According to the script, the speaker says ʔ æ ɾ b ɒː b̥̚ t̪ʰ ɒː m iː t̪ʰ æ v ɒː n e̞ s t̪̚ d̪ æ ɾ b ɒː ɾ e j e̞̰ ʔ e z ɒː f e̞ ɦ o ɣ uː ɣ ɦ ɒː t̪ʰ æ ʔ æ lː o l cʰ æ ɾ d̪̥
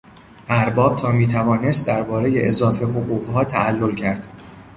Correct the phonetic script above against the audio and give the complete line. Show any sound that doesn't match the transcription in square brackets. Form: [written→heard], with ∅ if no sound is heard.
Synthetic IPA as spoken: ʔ æ ɾ b ɒː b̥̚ t̪ʰ ɒː m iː t̪ʰ æ v ɒː n e̞ s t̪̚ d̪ æ ɾ b ɒː ɾ e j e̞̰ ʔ e z ɒː f e̞ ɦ o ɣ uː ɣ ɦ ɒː t̪ʰ æ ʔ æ lː o l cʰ æ ɾ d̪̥

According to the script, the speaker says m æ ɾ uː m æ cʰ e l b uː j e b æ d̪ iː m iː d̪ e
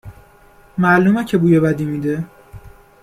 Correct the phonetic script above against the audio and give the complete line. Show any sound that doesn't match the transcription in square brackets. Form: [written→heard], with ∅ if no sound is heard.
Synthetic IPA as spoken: m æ [ɾ→l] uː m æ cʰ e [l→∅] b uː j e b æ d̪ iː m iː d̪ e

